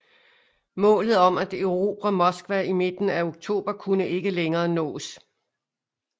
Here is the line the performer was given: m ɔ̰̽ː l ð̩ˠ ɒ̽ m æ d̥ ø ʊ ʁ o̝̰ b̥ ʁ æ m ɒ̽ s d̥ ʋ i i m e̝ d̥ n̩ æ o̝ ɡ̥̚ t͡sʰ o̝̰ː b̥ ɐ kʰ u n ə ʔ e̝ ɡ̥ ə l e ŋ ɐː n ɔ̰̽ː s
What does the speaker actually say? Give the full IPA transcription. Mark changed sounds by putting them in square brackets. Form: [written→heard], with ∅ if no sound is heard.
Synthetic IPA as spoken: m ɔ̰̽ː l ð̩ˠ ɒ̽ m æ d̥ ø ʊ ʁ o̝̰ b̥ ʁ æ m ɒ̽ s [d̥→ɡ̥] ʋ [i→æ] i m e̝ d̥ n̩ æ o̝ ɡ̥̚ t͡sʰ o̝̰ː b̥ ɐ kʰ u n ə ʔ e̝ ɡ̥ ə l e ŋ ɐː n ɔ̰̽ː s